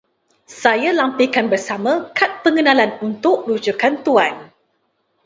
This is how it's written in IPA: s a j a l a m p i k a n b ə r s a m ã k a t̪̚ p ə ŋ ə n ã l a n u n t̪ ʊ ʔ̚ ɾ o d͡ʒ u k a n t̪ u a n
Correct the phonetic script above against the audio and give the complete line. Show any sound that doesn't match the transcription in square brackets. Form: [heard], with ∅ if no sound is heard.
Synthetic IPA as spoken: s a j a l a m p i k a n b ə r s a m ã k a t̪̚ p ə ŋ ə n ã l a n u n t̪ ʊ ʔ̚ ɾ [u] d͡ʒ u k a n t̪ u a n